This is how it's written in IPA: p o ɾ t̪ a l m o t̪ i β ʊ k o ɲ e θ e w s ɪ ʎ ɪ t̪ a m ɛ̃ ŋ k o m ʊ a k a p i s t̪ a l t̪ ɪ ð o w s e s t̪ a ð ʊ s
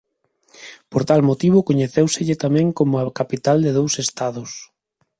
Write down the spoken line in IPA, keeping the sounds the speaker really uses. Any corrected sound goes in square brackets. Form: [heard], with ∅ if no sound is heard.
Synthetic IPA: p o ɾ t̪ a l m o t̪ i β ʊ k o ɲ e θ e w s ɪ ʎ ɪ t̪ a m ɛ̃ ŋ k o m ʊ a k a p i [∅] t̪ a l [d̪] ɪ ð o w s e s t̪ a ð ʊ s